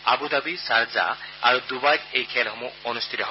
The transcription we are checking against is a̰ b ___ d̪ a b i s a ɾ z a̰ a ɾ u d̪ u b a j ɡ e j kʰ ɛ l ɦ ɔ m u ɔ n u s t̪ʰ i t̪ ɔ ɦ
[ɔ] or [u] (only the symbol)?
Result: u